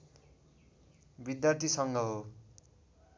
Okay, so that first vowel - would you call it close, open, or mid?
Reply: close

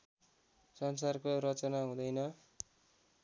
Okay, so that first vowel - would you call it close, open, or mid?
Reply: mid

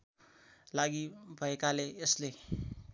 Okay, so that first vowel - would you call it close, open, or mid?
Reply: open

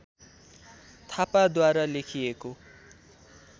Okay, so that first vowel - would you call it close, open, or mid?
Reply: open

